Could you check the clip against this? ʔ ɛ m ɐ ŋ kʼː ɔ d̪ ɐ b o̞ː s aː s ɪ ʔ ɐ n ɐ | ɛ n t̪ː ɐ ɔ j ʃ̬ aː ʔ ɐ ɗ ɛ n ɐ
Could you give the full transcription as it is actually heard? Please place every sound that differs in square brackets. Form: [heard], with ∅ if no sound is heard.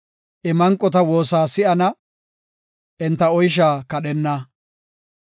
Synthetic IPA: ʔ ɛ m ɐ ŋ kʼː ɔ [t̪] ɐ [w] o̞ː s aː s ɪ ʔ ɐ n ɐ | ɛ n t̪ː ɐ ɔ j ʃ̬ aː [k] ɐ ɗ ɛ [nː] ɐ

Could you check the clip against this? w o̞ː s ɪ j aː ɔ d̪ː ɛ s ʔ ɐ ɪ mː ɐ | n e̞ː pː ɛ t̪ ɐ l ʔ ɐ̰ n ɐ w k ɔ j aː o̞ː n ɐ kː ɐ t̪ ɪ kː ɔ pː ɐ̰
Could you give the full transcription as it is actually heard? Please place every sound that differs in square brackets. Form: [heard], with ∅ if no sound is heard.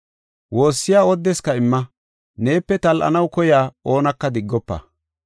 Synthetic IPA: w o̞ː [sː] ɪ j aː ɔ d̪ː ɛ s [k] ɐ ɪ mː ɐ | n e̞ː pː ɛ t̪ ɐ l ʔ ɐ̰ n ɐ w k ɔ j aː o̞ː n ɐ kː ɐ [d̪] ɪ [ɡː] ɔ pː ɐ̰

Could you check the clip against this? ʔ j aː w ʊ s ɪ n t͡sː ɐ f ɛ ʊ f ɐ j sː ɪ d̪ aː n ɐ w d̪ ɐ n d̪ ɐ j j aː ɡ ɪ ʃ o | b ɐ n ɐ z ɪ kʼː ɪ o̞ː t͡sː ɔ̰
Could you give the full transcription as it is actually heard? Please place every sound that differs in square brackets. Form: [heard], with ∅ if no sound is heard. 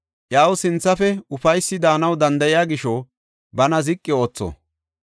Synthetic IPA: ʔ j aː w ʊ s ɪ n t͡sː ɐ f ɛ ʊ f ɐ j sː ɪ d̪ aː n ɐ w d̪ ɐ n d̪ ɐ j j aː ɡ ɪ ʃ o | b ɐ n ɐ z ɪ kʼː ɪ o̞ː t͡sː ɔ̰

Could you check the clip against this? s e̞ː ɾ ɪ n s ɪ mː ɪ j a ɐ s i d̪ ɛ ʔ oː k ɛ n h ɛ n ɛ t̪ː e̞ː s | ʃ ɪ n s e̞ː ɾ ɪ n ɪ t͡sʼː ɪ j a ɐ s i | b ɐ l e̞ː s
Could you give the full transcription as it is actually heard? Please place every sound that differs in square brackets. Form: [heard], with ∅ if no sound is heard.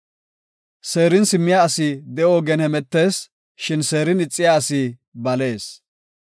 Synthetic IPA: s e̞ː ɾ ɪ n s ɪ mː ɪ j a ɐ s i d̪ ɛ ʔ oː [ɡ] ɛ n h ɛ [m] ɛ t̪ː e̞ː s | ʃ ɪ n s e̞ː ɾ ɪ n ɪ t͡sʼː ɪ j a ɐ s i | b ɐ l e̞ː s

